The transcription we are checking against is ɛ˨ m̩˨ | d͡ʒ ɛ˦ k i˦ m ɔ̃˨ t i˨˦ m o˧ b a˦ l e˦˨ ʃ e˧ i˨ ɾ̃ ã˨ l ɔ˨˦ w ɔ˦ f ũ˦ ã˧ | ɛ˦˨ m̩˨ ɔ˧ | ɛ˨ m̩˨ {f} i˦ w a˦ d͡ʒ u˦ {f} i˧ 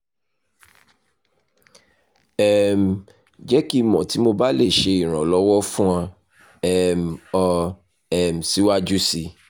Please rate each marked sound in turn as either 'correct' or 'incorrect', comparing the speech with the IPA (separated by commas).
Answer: incorrect, incorrect